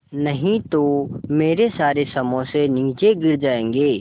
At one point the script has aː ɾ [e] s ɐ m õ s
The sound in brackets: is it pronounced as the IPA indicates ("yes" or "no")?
yes